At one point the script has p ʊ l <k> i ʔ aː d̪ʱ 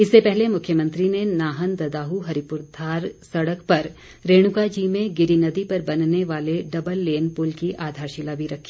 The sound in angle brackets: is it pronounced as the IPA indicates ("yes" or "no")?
yes